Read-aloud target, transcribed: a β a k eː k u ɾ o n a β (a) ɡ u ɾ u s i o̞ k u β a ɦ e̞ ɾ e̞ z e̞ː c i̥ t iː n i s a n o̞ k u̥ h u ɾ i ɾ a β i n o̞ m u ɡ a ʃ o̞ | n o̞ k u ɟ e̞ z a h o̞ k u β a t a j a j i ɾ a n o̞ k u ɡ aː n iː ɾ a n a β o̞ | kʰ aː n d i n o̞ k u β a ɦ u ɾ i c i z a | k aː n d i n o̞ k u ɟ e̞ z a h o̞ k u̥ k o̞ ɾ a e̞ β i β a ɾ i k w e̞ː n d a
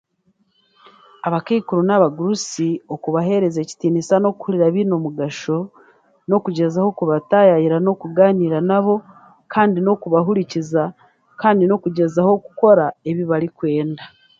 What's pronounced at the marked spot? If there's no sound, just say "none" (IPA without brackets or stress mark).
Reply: a